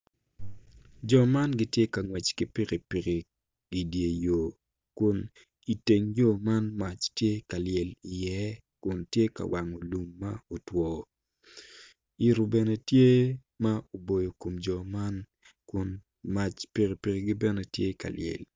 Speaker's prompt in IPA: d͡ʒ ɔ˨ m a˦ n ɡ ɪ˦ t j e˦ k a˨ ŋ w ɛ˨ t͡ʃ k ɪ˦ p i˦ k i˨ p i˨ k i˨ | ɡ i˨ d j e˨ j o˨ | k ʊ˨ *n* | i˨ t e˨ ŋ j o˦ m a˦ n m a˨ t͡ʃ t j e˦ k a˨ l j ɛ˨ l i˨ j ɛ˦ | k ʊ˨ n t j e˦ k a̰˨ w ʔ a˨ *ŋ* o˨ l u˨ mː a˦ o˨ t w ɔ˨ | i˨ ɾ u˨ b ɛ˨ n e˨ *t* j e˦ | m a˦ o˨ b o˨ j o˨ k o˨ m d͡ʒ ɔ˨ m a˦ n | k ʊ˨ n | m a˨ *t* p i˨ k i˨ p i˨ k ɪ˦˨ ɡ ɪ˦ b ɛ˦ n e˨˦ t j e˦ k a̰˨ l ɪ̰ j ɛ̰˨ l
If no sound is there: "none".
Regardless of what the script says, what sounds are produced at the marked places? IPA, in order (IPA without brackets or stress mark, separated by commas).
n, ŋ, t, t͡ʃ